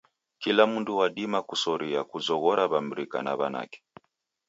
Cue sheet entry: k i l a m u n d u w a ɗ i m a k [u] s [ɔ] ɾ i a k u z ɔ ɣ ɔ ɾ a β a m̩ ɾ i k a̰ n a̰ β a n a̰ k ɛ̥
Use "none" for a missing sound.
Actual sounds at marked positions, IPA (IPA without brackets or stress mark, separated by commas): u, ɔ